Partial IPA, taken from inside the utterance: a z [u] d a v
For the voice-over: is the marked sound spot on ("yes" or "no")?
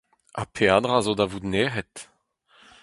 no